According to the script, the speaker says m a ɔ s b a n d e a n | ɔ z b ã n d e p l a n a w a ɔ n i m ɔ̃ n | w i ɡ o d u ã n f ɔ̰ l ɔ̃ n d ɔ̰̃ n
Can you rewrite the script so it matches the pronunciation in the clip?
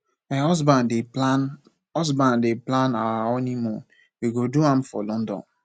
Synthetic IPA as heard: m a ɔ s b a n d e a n | ɔ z b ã n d e p l a n a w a ɔ n i m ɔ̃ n | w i ɡ o d u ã m f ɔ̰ l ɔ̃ n d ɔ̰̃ n